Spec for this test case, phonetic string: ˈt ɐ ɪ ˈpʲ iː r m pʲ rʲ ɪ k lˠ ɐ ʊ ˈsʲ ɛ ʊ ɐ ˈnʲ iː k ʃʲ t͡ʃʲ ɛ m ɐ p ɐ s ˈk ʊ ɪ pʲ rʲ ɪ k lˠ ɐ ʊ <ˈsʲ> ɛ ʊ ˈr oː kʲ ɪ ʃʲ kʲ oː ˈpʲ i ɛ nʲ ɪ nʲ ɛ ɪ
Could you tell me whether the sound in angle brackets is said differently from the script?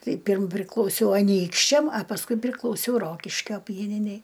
no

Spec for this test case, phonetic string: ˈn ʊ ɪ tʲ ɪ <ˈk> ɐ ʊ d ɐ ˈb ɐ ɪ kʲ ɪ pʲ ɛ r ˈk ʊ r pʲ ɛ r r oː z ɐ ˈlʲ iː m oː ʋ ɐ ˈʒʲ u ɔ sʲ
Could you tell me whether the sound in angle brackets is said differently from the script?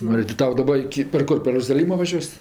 yes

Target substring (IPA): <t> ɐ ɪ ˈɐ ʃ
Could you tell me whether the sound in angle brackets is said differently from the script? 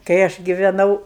yes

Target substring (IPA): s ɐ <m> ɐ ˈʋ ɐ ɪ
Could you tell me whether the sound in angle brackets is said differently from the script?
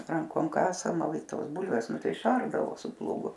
no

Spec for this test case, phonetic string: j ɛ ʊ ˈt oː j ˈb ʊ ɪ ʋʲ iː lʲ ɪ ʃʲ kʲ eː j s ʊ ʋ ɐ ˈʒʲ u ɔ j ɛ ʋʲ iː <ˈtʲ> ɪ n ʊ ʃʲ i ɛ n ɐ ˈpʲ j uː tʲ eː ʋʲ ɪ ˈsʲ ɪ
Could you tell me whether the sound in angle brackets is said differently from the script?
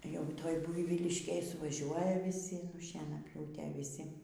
yes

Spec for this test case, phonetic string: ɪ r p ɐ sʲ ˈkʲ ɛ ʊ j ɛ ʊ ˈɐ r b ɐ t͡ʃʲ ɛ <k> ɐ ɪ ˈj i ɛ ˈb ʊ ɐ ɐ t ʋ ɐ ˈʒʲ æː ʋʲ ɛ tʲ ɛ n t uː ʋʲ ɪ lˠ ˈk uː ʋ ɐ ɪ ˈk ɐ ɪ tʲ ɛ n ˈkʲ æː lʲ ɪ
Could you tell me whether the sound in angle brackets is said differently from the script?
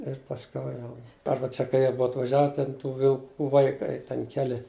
no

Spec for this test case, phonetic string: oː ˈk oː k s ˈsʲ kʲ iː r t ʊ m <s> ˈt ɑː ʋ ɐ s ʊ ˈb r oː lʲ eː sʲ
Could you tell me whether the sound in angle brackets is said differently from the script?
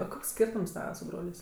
no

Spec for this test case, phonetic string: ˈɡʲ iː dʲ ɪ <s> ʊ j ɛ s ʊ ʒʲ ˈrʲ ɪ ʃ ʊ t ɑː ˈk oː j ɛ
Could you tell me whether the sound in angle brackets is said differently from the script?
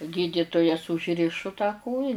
yes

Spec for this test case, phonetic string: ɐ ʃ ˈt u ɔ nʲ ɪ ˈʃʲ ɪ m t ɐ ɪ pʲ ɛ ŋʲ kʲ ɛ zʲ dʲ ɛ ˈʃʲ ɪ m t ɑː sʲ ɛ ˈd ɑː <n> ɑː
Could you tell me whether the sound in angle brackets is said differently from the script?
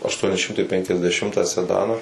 no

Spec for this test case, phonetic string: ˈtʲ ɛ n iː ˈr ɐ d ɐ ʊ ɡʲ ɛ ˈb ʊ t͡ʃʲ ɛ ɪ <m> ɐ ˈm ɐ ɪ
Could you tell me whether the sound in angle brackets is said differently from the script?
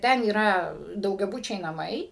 yes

